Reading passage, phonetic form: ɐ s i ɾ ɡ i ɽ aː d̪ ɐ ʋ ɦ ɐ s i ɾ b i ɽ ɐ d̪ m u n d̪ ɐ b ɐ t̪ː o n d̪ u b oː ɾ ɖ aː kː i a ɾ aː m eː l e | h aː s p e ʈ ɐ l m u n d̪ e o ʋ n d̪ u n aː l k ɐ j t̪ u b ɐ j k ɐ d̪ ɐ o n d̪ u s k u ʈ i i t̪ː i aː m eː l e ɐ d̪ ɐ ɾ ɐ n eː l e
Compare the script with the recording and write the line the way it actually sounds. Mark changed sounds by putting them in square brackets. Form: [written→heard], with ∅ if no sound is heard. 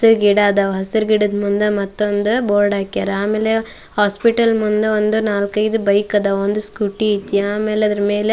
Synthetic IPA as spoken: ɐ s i ɾ ɡ i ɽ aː d̪ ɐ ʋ ɦ ɐ s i ɾ [b→ɡ] i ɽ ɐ d̪ m u n d̪ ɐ [b→m] ɐ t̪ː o n d̪ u b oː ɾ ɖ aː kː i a ɾ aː m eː l e | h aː s p [e→i] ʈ ɐ l m u n d̪ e o [ʋ→∅] n d̪ u n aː l k ɐ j [t̪→d̪] u b ɐ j k ɐ d̪ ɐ o n d̪ u s k u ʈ i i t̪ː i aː m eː l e ɐ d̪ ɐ ɾ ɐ [n→m] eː l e